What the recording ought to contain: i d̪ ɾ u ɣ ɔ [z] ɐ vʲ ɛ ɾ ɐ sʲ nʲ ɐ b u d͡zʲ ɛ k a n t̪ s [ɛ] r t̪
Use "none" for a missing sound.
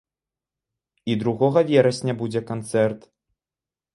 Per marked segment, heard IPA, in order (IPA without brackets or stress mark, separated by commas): ɣ, ɛ